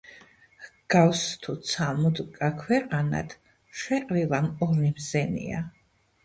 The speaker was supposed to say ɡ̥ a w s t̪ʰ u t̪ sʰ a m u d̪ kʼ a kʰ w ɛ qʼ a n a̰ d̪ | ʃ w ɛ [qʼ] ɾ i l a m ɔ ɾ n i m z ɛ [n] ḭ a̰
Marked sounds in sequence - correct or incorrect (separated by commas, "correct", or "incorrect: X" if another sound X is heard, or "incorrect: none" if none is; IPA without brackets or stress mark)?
correct, correct